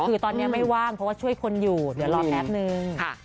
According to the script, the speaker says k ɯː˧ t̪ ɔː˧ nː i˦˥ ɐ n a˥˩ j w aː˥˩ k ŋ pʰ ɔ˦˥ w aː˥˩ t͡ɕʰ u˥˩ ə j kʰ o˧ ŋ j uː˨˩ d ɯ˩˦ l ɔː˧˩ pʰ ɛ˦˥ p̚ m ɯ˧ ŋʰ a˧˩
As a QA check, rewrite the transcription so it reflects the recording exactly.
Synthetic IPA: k ɯː˧ t̪ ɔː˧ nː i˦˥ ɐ m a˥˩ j w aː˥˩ ŋ pʰ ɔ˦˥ w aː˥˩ t͡ɕʰ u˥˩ ə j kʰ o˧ n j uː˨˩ d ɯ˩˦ l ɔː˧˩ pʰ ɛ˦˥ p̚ n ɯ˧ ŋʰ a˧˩